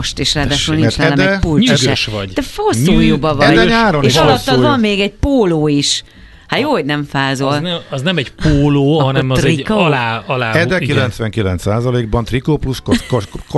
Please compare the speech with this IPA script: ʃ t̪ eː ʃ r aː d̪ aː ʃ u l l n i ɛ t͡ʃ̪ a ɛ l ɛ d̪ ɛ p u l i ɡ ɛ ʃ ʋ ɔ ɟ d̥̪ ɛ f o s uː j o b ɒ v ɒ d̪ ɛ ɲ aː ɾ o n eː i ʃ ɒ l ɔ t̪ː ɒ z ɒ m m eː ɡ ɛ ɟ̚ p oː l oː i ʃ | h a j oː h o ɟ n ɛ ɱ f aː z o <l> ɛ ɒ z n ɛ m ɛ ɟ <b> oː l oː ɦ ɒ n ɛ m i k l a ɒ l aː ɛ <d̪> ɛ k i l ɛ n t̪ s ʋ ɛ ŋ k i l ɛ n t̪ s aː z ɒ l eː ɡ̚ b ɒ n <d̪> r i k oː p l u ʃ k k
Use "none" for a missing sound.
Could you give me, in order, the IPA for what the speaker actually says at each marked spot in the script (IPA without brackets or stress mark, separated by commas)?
l, p, d̪, t̪